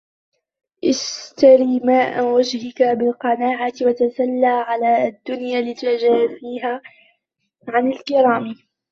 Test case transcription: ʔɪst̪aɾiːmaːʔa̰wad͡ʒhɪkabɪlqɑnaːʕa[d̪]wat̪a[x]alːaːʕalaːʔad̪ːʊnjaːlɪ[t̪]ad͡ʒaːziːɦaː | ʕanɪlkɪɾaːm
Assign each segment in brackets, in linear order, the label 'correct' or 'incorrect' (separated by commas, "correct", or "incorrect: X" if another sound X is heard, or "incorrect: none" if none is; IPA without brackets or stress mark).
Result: incorrect: t̪, incorrect: s, correct